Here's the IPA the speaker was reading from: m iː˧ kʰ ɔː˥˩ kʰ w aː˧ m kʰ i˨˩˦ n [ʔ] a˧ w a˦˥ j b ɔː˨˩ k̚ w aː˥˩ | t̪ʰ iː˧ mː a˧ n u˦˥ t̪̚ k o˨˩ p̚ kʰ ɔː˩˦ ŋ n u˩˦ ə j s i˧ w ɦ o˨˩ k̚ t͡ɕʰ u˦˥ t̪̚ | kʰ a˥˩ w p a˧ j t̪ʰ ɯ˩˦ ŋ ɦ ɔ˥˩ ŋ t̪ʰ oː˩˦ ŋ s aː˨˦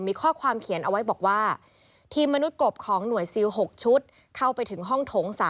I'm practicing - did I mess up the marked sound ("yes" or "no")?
no